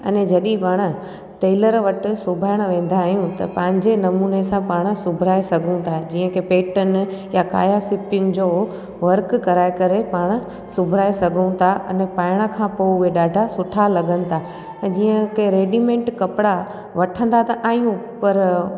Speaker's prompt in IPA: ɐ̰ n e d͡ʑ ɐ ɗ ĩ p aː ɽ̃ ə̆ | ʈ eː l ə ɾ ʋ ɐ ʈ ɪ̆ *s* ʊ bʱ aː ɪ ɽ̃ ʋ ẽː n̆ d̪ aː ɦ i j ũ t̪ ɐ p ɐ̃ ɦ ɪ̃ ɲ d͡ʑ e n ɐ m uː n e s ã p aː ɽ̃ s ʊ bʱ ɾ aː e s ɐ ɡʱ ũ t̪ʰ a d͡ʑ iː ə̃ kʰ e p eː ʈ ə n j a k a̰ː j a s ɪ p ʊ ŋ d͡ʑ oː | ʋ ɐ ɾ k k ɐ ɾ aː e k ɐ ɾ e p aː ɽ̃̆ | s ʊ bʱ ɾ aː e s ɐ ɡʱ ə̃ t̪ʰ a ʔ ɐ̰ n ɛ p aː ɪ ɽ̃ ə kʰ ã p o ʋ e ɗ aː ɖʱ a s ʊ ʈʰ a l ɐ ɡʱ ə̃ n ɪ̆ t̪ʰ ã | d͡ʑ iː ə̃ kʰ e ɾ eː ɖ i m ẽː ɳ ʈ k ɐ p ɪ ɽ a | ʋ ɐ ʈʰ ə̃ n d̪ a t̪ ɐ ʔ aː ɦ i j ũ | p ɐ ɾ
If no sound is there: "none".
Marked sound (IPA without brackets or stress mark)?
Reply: s